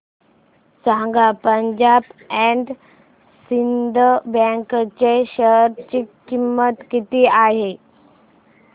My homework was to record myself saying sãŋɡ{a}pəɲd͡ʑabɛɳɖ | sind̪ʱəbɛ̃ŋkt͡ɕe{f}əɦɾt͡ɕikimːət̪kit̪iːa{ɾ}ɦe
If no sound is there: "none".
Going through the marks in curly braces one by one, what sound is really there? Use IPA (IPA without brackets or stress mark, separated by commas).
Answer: a, ɕ, none